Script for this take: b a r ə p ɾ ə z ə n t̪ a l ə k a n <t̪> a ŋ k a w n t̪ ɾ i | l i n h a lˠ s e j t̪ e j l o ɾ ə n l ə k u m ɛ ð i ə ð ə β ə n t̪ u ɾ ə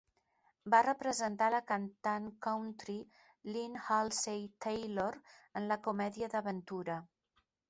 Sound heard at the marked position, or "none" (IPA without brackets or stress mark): t̪